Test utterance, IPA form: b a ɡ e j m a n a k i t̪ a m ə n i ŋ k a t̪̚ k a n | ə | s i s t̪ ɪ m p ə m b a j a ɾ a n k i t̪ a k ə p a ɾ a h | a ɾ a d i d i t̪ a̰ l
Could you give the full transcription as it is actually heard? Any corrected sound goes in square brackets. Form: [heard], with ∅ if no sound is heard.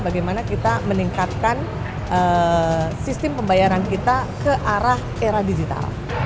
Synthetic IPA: b a ɡ [a] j m a n a k i t̪ a m ə n i ŋ k a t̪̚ k a n | ə | s i s t̪ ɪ m p ə m b a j a ɾ a n k i t̪ a k ə [ʔ] a ɾ a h | [e] ɾ a d i [d͡ʒ] i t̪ a̰ l